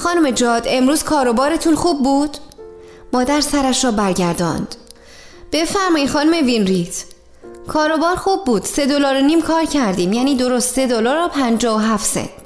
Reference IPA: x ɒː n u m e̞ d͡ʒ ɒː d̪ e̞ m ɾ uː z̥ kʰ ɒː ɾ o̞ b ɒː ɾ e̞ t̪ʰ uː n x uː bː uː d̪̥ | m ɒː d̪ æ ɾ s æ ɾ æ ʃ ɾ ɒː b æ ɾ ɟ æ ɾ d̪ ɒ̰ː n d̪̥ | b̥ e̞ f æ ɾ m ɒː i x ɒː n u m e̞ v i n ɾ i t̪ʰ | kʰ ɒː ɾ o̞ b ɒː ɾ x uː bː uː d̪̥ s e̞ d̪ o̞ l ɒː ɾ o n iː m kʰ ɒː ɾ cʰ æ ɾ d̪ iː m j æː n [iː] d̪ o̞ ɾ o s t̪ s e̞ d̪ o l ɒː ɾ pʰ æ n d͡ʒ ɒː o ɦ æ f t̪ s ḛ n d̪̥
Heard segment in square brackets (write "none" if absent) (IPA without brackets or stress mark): iː